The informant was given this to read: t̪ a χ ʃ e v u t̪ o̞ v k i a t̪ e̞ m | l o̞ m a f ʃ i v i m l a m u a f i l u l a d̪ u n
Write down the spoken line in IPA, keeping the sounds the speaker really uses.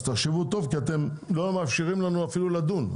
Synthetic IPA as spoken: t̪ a χ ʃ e v u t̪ o̞ v k i a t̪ e̞ m | l o̞ m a f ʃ i ʁ i m l a n u a f i l u l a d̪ u n